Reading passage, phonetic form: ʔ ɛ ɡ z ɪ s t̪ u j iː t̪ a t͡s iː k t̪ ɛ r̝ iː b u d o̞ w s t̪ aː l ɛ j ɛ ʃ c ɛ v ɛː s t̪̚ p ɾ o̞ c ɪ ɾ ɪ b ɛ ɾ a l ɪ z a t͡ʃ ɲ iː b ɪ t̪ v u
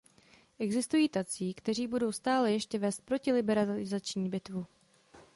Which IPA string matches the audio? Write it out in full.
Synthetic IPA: ʔ ɛ ɡ z ɪ s t̪ u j iː t̪ a t͡s iː k t̪ ɛ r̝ iː b u d o̞ w s t̪ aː l ɛ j ɛ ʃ c ɛ v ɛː s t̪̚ p ɾ o̞ c ɪ l ɪ b ɛ ɾ a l ɪ z a t͡ʃ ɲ iː b ɪ t̪ v u

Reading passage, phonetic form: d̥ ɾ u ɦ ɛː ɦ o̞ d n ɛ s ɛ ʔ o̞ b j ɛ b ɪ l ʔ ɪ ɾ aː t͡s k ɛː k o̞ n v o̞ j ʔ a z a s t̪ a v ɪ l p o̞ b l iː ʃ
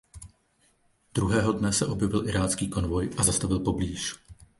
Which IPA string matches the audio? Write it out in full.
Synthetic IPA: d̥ ɾ u ɦ ɛː ɦ o̞ d n ɛ s ɛ ʔ o̞ b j ɛ v ɪ l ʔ ɪ ɾ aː t͡s k iː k o̞ n v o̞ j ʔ a z a s t̪ a v ɪ l p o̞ b l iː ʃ

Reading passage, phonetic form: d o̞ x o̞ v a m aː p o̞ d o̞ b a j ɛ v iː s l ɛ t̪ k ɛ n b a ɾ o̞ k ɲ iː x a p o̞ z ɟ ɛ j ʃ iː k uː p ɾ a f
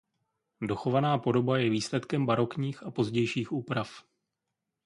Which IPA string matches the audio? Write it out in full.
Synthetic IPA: d o̞ x o̞ v a n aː p o̞ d o̞ b a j ɛ v iː s l ɛ t̪ k ɛ m b a ɾ o̞ k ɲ iː x a p o̞ z ɟ ɛ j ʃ iː x uː p ɾ a f

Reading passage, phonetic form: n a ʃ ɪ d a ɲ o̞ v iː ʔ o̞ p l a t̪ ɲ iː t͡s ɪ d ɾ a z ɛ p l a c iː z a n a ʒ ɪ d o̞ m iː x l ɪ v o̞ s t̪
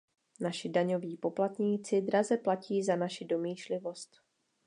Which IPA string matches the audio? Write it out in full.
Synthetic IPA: n a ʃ ɪ d a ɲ o̞ v iː p o̞ p l a t̪ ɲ iː t͡s ɪ d ɾ a z ɛ p l a c iː z a n a ʃ ɪ d o̞ m iː ʃ l ɪ v o̞ s t̪

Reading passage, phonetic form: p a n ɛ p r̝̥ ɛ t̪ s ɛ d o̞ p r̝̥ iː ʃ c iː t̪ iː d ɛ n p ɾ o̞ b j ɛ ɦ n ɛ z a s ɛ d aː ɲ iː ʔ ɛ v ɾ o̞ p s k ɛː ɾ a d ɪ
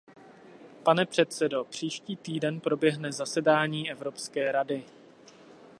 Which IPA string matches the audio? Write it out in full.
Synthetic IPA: p a n ɛ p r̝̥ ɛ t̪ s ɛ d o̞ p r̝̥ iː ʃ c iː t̪ iː d ɛ n p ɾ o̞ b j ɛ ɦ n ɛ z a s ɛ d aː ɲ iː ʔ ɛ v ɾ o̞ p s k ɛː ɾ a d ɪ

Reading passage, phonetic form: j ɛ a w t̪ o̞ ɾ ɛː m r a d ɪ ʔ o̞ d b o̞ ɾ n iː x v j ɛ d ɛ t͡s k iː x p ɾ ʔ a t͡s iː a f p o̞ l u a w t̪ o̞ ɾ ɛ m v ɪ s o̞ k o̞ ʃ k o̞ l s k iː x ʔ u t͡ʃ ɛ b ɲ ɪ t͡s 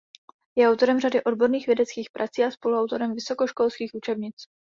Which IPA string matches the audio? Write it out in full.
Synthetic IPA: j ɛ a w t̪ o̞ ɾ ɛ m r a d ɪ ʔ o̞ d b o̞ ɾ n iː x v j ɛ d ɛ t͡s k iː x p ɾ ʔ a t͡s iː a s p o̞ l u a w t̪ o̞ ɾ ɛ m v ɪ s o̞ k o̞ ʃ k o̞ l s k iː x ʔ u t͡ʃ ɛ b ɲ ɪ t͡s

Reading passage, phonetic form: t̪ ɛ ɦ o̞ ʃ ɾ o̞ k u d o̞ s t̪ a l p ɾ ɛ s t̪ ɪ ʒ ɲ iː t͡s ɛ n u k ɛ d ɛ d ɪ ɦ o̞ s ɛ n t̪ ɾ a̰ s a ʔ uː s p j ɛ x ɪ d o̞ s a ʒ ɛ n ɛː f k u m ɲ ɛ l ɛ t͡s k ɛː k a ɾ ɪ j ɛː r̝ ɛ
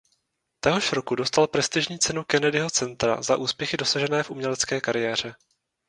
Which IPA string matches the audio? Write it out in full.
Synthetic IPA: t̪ ɛ ɦ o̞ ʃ ɾ o̞ k u d o̞ s t̪ a l p ɾ ɛ s t̪ ɪ ʒ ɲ iː t͡s ɛ n u k ɛ n ɛ d ɪ ɦ o̞ t͡s ɛ n t̪ ɾ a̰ z a ʔ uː s p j ɛ x ɪ d o̞ s a ʒ ɛ n ɛː f ʔ u m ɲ ɛ l ɛ t͡s k ɛː k a ɾ ɪ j ɛː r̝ ɛ

